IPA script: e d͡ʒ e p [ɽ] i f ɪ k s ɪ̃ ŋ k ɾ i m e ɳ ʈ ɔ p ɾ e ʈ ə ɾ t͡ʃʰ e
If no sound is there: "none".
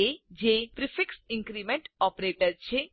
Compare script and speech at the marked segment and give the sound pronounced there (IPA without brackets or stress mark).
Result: ɾ